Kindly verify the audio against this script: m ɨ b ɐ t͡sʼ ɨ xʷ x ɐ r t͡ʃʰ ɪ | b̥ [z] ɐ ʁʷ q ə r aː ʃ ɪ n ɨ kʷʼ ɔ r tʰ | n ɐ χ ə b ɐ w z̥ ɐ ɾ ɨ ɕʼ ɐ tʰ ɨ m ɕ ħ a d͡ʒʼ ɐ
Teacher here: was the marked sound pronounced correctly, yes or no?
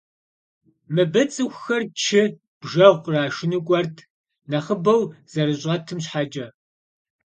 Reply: no